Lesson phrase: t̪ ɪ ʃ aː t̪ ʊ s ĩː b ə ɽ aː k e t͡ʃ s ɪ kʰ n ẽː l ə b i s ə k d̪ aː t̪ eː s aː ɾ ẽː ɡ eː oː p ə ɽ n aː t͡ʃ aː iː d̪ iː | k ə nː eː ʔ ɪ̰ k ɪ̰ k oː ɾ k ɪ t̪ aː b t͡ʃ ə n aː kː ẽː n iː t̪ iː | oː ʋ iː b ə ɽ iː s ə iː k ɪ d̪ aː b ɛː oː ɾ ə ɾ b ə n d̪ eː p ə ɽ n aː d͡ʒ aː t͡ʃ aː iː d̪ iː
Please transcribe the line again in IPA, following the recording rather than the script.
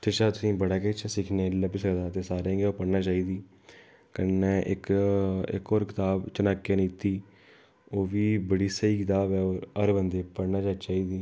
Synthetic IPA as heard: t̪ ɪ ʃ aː t̪ ʊ s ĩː b ə ɽ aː k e t͡ʃ s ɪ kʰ n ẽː l ə b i s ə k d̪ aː t̪ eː s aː ɾ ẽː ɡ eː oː p ə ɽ n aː t͡ʃ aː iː d̪ iː | k ə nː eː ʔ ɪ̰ k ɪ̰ k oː ɾ k ɪ t̪ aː b t͡ʃ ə n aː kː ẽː n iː t̪ iː | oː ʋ iː b ə ɽ iː s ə iː k ɪ t̪ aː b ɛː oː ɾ ə ɾ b ə n d̪ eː p ə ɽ n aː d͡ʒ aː t͡ʃ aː iː d̪ iː